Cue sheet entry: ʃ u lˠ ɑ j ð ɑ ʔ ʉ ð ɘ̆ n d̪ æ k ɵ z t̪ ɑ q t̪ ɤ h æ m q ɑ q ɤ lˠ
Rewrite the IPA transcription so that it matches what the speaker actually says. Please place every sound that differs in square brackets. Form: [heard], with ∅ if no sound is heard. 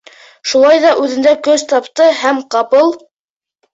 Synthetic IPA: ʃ u lˠ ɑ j ð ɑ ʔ ʉ ð ɘ̆ n d̪ æ k ɵ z t̪ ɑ [p] t̪ ɤ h æ m q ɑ [p] ɤ lˠ